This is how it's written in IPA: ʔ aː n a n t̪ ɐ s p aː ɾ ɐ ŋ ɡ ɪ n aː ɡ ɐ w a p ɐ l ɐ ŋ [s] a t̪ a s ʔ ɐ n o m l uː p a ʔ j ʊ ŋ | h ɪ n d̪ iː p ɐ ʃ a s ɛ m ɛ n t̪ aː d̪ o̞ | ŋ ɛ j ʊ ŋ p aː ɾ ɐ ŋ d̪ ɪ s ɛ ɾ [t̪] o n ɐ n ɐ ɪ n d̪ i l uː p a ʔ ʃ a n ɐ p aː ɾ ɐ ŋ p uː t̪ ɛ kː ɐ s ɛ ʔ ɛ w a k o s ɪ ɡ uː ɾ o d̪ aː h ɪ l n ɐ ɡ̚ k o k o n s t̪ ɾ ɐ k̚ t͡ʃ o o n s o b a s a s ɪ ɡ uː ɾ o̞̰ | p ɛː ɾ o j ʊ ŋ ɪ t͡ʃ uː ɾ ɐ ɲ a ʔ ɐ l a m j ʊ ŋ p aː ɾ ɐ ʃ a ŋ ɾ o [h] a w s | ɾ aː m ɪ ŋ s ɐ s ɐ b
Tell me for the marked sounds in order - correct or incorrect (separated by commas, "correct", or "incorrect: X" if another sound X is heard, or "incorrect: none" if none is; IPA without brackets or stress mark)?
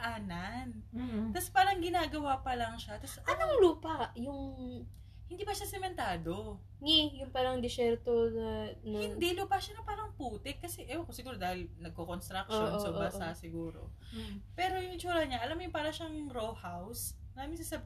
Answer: incorrect: ʃ, correct, correct